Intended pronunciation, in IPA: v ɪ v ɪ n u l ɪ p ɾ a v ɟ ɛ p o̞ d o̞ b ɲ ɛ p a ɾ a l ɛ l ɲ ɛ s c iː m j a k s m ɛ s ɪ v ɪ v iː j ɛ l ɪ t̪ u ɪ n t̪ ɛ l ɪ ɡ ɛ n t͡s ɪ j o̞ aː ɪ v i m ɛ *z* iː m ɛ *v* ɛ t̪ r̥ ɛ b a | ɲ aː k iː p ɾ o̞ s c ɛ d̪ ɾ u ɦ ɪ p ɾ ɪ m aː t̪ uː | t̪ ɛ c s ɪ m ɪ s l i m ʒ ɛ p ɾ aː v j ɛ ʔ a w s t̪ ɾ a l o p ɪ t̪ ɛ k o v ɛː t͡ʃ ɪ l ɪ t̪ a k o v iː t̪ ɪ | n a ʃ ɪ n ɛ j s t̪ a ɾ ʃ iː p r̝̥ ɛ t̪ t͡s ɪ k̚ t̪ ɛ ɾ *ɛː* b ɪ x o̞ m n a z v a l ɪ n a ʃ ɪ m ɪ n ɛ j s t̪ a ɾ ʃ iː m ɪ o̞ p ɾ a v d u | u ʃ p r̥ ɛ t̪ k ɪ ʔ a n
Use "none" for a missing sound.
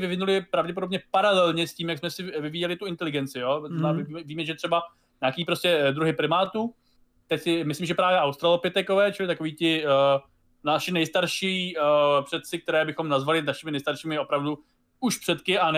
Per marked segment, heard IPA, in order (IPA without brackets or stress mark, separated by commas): v, ʒ, ɛː